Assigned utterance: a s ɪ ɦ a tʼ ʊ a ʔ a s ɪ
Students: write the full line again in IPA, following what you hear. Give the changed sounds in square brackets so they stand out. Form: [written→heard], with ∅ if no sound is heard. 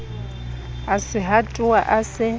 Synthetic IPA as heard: a s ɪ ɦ a tʼ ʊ a ʔ a s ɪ